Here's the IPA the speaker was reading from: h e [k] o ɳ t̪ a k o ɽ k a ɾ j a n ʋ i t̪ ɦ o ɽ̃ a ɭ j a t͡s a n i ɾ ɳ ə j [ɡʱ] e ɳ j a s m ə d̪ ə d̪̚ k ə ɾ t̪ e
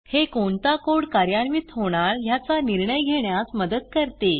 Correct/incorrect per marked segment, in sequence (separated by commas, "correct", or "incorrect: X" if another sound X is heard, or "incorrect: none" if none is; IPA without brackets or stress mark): correct, correct